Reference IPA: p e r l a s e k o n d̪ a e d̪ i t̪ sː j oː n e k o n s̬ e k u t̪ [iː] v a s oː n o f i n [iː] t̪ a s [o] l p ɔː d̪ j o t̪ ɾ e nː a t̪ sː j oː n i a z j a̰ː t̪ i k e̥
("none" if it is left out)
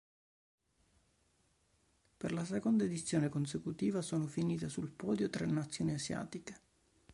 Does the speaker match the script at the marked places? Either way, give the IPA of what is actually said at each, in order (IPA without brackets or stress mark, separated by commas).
iː, iː, u